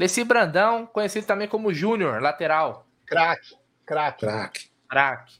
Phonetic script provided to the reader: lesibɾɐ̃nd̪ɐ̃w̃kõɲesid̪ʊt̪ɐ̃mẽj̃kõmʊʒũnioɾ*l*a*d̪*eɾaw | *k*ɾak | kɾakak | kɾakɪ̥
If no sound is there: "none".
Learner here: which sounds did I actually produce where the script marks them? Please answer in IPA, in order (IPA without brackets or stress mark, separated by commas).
l, t̪, k